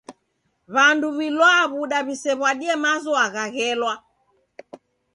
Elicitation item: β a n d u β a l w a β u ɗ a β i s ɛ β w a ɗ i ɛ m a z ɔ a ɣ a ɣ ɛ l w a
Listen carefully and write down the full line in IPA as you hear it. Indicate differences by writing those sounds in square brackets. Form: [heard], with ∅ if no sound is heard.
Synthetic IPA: β a n d u β [i] l w a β u ɗ a β i s ɛ β w a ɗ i ɛ m a z ɔ a ɣ a ɣ ɛ l w a